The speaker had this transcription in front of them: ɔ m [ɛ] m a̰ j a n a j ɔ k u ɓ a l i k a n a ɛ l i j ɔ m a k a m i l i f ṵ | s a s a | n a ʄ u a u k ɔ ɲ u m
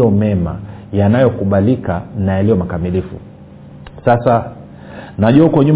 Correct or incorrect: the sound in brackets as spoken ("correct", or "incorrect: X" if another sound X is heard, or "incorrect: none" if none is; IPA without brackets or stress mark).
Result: correct